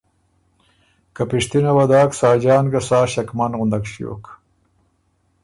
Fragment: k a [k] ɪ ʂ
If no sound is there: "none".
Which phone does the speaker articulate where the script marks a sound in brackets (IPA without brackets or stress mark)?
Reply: p